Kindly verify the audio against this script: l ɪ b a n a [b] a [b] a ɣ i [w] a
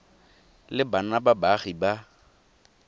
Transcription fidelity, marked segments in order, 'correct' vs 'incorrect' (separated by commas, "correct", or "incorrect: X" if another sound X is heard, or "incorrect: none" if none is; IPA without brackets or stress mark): correct, correct, incorrect: b